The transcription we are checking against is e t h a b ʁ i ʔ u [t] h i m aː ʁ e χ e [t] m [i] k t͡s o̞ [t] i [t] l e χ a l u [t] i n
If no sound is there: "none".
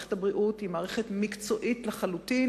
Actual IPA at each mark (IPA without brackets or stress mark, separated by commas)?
t, t, i, ʔ, t, t